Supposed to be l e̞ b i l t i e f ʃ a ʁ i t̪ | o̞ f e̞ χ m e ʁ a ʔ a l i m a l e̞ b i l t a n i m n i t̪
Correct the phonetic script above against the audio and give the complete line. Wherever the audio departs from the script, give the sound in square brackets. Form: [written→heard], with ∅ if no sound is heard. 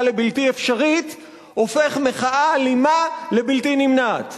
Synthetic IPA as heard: l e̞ b i l t i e f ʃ a ʁ i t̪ | o̞ f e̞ χ m e [ʁ→χ] a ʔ a l i m a l e̞ b i l t [a→i] n i m n [i→a] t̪